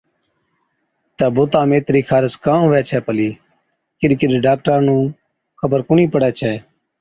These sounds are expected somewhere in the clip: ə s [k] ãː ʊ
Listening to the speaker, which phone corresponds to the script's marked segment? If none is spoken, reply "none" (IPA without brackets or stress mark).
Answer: k